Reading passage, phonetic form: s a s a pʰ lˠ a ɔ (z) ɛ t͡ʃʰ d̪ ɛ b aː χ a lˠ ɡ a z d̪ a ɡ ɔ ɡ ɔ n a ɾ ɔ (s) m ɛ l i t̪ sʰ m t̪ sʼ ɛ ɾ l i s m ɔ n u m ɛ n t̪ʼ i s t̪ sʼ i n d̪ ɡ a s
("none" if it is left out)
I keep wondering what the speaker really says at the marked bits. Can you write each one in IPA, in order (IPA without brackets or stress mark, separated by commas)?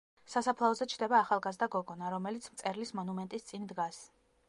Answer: z, none